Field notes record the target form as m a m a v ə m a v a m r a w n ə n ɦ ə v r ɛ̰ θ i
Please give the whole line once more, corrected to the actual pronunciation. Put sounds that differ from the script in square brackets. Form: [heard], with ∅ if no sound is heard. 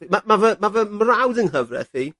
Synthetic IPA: m a m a v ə m a v [ə] m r a w [d] ə n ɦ ə v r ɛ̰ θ i